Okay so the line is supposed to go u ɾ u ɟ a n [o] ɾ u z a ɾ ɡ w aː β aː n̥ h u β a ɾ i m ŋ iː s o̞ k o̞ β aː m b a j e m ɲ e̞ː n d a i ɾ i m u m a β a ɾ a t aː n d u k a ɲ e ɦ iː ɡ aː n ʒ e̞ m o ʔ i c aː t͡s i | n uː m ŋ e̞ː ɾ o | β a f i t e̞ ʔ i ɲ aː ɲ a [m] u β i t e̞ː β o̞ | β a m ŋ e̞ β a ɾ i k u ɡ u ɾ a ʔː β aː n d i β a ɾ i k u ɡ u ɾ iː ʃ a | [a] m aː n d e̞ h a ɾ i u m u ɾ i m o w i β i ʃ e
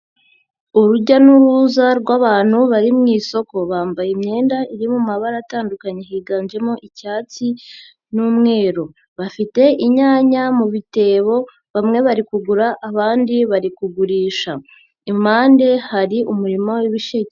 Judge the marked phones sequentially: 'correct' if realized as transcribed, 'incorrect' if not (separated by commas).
incorrect, correct, incorrect